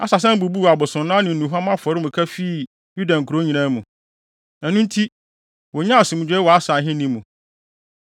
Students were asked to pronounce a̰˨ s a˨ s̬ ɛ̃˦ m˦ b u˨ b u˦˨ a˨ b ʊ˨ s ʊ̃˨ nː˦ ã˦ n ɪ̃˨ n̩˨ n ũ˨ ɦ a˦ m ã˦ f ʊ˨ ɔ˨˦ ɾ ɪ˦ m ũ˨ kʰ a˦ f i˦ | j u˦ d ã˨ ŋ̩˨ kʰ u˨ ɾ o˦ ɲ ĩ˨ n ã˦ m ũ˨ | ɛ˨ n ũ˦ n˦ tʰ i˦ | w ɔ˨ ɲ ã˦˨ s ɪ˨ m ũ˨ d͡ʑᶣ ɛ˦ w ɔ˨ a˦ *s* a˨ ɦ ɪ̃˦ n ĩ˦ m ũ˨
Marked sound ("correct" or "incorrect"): correct